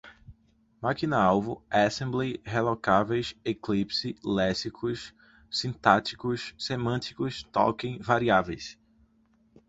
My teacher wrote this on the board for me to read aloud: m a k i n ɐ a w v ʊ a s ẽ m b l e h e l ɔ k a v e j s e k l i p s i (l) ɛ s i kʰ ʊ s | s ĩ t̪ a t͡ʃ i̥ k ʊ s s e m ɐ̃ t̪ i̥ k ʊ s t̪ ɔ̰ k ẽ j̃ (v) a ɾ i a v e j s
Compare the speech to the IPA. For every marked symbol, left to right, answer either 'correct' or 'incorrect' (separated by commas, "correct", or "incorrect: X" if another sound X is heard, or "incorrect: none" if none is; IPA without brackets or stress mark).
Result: correct, correct